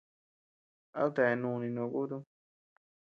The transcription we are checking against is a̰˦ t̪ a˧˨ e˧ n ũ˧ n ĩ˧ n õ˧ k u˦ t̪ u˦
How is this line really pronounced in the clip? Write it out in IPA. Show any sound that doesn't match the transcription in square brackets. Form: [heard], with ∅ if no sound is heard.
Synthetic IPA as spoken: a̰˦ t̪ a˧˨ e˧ n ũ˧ n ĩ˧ n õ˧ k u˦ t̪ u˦